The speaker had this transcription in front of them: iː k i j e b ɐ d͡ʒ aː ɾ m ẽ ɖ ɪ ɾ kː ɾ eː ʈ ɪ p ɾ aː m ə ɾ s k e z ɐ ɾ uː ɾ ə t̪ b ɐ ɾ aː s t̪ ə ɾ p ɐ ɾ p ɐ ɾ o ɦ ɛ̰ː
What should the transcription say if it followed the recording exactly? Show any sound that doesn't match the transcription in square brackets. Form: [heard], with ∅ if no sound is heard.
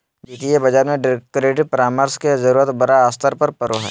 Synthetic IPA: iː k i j e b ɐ d͡ʒ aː ɾ m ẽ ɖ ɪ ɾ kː ɾ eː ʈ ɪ p ɾ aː m ə ɾ s k e z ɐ ɾ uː ɾ ə t̪ b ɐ ɾ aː s t̪ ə ɾ p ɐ ɾ p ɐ ɾ o ɦ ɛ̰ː